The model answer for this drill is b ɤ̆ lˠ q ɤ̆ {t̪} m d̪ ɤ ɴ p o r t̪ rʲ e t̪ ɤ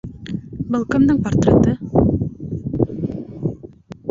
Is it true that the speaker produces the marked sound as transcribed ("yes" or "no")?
no